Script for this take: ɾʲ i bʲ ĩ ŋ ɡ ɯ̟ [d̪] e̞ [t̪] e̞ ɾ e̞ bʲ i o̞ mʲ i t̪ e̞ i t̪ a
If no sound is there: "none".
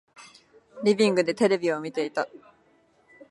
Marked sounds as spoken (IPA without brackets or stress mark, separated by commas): d̪, t̪